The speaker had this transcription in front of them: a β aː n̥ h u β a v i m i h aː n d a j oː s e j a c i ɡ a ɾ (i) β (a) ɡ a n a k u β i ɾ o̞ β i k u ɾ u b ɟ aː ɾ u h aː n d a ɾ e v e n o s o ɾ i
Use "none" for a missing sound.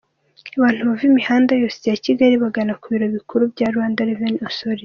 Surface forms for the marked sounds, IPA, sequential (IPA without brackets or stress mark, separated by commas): i, a